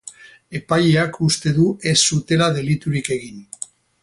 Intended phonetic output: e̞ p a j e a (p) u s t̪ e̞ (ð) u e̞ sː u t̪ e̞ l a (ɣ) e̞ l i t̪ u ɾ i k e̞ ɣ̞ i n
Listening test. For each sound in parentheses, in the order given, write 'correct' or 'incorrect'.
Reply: incorrect: k, correct, incorrect: ð

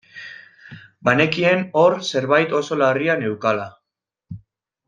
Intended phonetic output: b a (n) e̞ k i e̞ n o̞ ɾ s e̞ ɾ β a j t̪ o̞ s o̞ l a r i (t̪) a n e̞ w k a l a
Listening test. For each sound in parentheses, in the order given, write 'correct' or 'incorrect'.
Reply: correct, incorrect: none

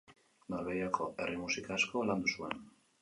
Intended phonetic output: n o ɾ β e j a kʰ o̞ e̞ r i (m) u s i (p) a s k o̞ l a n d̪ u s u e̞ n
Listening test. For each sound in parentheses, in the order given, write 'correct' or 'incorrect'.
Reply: correct, incorrect: k

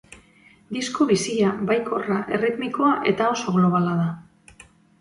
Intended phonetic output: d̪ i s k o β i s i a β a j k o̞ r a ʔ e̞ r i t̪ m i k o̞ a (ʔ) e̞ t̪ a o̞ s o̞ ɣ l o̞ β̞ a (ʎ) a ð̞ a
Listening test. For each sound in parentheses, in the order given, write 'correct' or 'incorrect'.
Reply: correct, incorrect: l

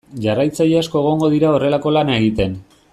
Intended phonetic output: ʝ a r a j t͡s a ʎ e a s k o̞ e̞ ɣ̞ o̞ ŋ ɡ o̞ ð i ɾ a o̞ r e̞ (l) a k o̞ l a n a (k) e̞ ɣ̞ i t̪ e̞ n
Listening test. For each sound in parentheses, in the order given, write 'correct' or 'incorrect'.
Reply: correct, incorrect: none

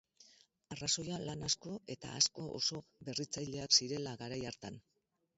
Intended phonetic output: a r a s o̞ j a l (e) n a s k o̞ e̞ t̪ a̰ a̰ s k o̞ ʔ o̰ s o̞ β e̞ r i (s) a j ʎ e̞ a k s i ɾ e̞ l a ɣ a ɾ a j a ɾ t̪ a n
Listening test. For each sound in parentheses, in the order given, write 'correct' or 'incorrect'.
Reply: incorrect: a, incorrect: t͡s

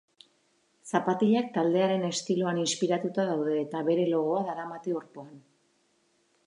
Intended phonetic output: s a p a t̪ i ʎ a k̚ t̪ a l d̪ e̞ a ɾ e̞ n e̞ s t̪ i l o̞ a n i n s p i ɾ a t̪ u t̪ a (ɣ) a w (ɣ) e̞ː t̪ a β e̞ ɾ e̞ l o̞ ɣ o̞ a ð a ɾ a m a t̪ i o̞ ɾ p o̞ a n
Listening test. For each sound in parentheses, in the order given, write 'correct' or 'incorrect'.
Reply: incorrect: ð, incorrect: ð

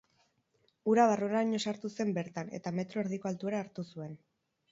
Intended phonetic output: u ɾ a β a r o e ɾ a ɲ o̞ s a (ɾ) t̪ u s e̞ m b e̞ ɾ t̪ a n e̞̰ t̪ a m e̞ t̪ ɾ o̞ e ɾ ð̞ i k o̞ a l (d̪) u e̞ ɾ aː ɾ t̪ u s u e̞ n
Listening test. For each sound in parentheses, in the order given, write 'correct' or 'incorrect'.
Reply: correct, incorrect: t̪

